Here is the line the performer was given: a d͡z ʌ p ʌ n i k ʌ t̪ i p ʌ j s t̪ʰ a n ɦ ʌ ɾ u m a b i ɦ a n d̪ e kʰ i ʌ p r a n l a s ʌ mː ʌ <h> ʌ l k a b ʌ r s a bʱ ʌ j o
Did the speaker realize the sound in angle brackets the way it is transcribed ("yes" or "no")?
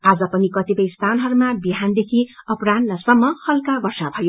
yes